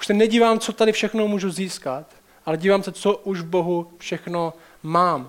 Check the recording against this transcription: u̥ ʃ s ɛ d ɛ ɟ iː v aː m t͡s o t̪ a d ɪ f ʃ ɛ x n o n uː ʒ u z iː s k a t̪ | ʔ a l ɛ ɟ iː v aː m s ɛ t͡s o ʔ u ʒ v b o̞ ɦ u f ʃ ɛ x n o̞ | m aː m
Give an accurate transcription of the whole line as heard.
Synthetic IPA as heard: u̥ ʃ s ɛ n ɛ ɟ iː v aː m t͡s o t̪ a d ɪ f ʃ ɛ x n o m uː ʒ u z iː s k a t̪ | ʔ a l ɛ ɟ iː v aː m s ɛ t͡s o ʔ u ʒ v b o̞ ɦ u f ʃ ɛ x n o̞ | m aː m